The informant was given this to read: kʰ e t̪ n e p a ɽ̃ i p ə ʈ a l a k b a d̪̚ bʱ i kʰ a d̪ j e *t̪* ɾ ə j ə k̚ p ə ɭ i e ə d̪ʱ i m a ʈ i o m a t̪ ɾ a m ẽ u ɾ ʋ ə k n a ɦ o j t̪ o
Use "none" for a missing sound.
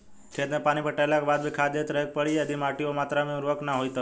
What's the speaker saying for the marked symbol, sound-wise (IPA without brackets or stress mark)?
t̪